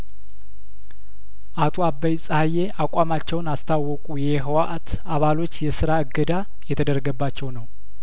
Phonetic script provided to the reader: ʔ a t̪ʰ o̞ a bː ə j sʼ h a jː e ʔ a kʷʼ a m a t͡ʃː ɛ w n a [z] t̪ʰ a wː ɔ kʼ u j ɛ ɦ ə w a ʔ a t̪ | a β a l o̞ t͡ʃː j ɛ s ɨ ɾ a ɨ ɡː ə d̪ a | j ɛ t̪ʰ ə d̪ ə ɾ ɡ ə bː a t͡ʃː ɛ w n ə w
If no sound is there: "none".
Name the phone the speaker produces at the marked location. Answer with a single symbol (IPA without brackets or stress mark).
s